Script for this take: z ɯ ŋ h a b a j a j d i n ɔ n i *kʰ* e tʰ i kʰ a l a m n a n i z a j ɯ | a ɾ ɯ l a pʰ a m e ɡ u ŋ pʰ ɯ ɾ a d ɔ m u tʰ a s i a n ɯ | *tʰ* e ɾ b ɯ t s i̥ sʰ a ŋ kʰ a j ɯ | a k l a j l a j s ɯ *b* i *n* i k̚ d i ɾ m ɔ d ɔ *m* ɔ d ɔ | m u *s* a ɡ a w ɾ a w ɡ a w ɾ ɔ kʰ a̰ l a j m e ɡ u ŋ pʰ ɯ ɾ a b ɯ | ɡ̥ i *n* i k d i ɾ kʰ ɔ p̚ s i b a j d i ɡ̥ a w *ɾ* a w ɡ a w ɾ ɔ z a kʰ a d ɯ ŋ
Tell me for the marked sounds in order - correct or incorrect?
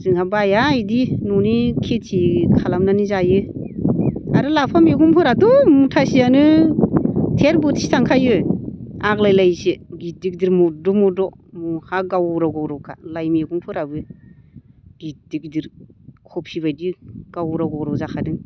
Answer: correct, correct, incorrect: ɡ, incorrect: d, correct, incorrect: h, incorrect: d, correct

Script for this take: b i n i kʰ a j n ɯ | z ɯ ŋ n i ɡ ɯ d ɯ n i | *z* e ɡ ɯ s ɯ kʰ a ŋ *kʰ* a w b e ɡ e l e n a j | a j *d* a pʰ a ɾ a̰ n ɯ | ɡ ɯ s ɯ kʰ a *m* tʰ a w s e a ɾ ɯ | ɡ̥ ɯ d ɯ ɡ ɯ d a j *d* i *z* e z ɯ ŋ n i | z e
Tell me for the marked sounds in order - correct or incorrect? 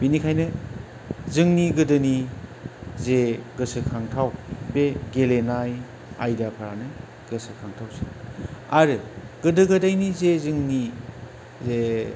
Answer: correct, incorrect: tʰ, correct, incorrect: ŋ, incorrect: n, correct

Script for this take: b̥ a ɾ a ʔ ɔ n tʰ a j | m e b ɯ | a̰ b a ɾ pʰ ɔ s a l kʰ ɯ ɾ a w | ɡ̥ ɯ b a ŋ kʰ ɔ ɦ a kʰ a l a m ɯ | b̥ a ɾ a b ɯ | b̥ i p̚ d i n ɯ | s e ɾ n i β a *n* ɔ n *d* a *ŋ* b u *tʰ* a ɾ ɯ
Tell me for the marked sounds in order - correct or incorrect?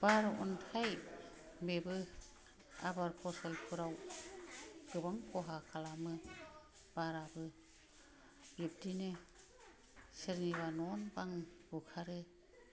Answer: correct, incorrect: b, correct, incorrect: kʰ

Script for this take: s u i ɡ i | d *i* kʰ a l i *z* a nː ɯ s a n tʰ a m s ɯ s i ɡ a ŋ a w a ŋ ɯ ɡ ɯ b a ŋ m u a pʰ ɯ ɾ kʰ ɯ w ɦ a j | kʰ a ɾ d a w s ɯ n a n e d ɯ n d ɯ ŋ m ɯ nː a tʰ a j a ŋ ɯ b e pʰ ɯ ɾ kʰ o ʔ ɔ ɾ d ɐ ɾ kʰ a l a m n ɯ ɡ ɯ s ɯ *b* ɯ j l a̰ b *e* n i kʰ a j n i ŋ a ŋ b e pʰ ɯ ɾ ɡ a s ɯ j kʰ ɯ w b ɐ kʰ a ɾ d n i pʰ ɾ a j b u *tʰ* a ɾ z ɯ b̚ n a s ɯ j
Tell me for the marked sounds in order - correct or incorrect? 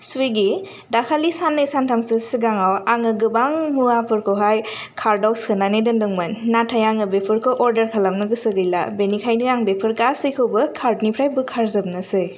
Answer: incorrect: a, incorrect: s, incorrect: ɡ, correct, incorrect: kʰ

